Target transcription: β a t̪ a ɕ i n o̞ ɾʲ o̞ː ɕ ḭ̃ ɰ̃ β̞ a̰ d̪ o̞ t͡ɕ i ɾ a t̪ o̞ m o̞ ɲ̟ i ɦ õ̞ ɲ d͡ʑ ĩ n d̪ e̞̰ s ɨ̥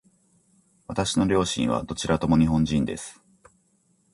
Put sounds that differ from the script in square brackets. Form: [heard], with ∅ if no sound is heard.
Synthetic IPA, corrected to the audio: β a t̪ a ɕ i n o̞ ɾʲ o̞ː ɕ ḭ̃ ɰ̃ β̞ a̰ d̪ o̞ t͡ɕ i ɾ a t̪ o̞ m o̞ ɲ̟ i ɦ õ̞ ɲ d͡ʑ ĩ n d̪ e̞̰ s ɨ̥